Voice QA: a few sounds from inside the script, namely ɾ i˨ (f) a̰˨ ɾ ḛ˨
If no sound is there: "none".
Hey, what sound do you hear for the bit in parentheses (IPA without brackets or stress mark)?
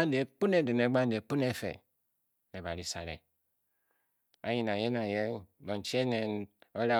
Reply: s